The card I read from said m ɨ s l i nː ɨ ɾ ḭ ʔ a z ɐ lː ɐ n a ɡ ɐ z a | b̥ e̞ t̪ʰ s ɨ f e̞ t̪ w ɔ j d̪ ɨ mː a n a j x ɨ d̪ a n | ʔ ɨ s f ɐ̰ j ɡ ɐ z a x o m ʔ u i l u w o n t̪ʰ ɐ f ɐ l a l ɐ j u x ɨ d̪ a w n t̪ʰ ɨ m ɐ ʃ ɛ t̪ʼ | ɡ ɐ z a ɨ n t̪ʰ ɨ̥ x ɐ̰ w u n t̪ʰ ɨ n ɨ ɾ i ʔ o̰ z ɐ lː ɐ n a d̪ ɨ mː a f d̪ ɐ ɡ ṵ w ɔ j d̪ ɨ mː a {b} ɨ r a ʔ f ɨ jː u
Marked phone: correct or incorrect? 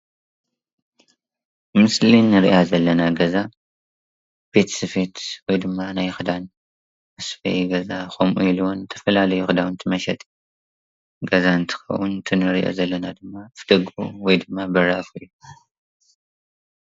correct